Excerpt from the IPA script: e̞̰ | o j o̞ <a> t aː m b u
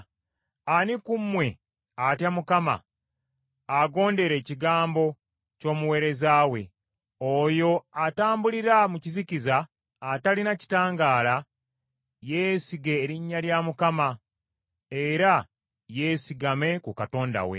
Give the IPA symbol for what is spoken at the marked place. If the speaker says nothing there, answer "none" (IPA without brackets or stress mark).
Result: a